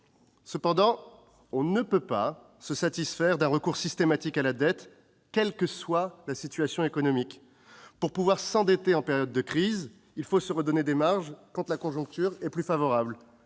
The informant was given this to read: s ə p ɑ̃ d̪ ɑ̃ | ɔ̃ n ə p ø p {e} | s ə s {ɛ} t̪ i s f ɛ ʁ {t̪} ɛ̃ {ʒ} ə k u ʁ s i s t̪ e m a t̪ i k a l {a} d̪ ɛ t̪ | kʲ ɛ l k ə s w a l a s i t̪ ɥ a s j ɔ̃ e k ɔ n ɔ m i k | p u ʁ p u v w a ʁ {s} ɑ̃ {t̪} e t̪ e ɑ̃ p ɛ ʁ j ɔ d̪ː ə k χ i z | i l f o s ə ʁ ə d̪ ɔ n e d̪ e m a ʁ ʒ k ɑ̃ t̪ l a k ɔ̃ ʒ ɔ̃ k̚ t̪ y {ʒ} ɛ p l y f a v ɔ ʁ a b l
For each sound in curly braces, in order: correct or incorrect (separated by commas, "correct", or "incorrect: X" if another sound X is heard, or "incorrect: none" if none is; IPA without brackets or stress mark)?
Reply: incorrect: a, incorrect: a, incorrect: d̪, incorrect: ʁ, correct, correct, incorrect: d̪, incorrect: ʁ